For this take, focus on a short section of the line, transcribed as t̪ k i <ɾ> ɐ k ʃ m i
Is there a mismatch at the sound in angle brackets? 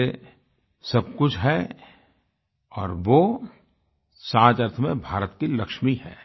yes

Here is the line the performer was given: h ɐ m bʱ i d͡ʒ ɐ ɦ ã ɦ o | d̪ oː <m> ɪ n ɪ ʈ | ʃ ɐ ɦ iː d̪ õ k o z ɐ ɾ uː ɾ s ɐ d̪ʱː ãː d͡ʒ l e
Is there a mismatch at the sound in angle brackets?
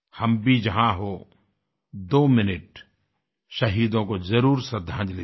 no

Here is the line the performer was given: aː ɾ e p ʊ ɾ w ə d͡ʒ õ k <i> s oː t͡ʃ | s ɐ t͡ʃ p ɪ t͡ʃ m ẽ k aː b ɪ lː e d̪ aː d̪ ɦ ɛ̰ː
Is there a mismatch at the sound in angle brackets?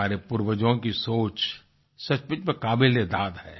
no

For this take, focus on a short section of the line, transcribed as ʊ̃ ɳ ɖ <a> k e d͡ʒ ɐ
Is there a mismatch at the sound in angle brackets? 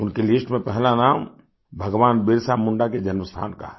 no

